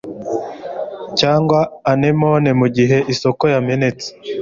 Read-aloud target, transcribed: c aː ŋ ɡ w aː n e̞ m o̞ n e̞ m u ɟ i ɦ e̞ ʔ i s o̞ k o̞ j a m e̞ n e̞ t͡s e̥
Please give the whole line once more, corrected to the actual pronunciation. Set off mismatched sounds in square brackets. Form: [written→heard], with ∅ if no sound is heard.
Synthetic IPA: c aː ŋ ɡ w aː n e̞ m o̞ n e̞ m u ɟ i ɦ e̞ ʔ i s o̞ k o̞ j a m e̞ n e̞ t͡s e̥